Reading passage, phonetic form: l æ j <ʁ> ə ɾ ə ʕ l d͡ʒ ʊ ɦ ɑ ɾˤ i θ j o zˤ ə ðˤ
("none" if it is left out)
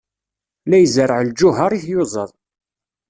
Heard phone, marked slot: z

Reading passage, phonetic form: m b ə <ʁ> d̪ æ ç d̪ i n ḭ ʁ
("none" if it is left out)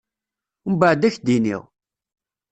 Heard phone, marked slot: ʕ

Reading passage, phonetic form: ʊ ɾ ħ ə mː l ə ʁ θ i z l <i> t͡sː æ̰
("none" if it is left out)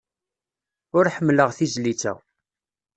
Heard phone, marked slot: i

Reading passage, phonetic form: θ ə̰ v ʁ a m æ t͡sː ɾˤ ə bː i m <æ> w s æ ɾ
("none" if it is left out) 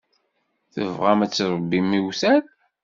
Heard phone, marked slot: i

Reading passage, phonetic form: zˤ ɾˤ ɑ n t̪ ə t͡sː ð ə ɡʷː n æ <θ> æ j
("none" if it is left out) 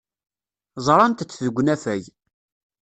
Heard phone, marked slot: f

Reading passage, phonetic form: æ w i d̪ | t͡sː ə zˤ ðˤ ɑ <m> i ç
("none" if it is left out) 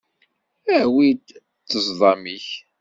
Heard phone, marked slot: m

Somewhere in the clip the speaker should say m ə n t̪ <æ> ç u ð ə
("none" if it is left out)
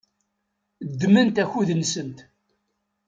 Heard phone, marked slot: æ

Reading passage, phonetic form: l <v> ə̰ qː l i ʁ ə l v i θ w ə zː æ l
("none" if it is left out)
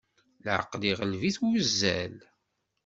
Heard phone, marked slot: ʕ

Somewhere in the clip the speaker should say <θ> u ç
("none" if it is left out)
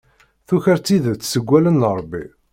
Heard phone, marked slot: θ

